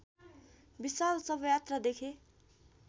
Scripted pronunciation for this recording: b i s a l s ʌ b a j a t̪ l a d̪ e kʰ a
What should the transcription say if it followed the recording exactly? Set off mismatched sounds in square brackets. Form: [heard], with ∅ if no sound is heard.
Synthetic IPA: b i s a l s ʌ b [ʌ] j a t̪ [r] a d̪ e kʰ [e]